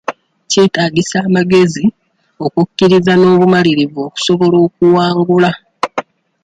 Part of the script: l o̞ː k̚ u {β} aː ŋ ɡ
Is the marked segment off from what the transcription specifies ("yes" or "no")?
yes